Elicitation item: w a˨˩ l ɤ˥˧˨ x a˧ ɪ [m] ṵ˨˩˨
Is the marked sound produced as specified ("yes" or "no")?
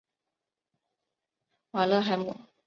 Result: yes